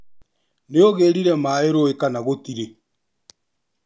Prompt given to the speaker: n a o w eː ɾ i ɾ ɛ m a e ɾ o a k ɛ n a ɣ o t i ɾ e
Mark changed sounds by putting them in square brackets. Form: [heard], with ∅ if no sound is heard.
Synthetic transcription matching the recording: n [e] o [ɣ] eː ɾ i ɾ ɛ m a e ɾ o [e] k [a] n a ɣ o t i ɾ e

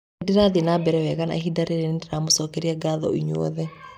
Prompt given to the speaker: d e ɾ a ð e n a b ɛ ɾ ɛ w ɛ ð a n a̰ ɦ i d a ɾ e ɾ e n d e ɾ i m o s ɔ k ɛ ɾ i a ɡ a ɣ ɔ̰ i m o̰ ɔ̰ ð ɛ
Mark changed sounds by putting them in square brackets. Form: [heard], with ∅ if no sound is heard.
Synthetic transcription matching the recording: d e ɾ a ð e n a b ɛ ɾ ɛ w ɛ [ɣ] a n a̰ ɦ i d a ɾ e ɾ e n d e ɾ [a] m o s ɔ k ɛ ɾ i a ɡ a [ð] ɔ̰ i [ɲ] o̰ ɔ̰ ð ɛ

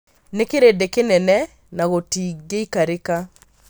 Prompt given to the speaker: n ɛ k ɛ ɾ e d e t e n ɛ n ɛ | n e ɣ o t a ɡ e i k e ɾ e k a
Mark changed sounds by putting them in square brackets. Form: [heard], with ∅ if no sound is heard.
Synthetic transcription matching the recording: n [e] k [e] ɾ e d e [k] e n ɛ n ɛ | n [a] ɣ o t [i] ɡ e i k [a] ɾ e k a

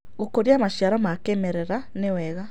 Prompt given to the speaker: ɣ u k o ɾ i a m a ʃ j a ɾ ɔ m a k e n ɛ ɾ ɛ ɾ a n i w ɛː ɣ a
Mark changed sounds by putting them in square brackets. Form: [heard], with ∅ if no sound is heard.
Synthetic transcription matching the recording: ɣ [o] k o ɾ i a m a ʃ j a ɾ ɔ m a k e [m] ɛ ɾ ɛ ɾ a n [e] w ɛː ɣ a

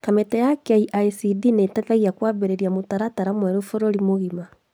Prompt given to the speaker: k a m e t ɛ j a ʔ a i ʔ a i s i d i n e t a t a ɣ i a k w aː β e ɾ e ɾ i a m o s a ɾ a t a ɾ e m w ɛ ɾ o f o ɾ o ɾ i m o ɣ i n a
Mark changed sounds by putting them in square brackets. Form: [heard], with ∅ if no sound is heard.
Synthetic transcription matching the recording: k a m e t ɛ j a [k] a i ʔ a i s i d i n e t a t a ɣ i a k w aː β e ɾ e ɾ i a m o [t] a ɾ a t a ɾ [a] m w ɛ ɾ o f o ɾ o ɾ i m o ɣ i [m] a

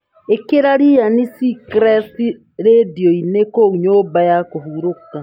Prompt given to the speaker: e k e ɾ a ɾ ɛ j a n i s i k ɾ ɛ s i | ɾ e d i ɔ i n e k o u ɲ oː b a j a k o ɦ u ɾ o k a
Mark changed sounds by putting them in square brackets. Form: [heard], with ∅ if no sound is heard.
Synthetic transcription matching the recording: e k e ɾ a ɾ [i] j a n i s i k ɾ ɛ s i | ɾ e d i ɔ i n e k o u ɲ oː b a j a k o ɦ u ɾ o k a

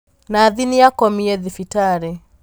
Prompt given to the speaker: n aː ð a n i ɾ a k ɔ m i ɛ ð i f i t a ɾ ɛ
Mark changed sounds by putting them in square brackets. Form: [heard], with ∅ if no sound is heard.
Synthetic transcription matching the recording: n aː ð [i] n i [∅] a k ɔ m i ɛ ð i f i t a ɾ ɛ

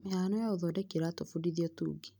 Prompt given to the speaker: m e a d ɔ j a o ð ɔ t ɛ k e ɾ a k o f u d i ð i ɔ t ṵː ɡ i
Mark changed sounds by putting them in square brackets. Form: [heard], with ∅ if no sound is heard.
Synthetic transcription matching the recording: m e a [n] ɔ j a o ð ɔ [d] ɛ k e ɾ a [t] o f u d i ð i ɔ t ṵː ɡ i

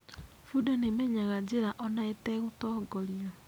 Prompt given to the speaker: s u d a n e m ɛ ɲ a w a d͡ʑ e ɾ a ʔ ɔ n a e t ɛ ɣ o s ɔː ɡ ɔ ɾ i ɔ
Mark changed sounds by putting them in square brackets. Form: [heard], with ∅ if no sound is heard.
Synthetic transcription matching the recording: [f] u d a n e m ɛ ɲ a [ɣ] a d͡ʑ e ɾ a ʔ ɔ n a e t ɛ ɣ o [t] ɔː ɡ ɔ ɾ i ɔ

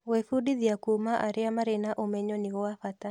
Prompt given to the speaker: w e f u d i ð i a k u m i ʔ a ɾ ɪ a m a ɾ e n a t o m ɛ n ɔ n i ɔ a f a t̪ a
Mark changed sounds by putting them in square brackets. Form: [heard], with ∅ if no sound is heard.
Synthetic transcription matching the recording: w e f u d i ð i a k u m [a] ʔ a ɾ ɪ a m a ɾ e n a [ʔ] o m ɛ [ɲ] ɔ n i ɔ a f a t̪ a

